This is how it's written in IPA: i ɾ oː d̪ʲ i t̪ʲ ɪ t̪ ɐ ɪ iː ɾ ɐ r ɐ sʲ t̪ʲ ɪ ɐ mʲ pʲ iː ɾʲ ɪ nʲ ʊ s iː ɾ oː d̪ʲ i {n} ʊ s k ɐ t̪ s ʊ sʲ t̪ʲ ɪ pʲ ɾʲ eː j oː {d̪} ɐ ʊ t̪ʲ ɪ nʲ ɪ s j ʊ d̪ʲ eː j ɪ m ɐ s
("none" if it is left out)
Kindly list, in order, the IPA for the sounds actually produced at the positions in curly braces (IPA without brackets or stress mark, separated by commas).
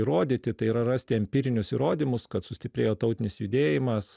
m, t̪